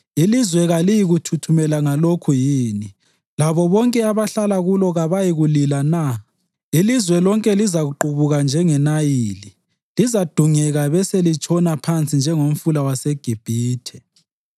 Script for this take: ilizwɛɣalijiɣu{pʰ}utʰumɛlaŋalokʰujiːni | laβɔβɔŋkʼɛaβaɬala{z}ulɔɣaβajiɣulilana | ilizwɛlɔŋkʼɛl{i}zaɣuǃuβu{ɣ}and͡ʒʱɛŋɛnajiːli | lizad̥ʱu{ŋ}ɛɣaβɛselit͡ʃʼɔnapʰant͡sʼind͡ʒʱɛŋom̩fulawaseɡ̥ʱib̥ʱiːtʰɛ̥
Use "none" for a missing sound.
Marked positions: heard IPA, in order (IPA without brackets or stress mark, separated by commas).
tʰ, ɣ, i, ɣ, ŋ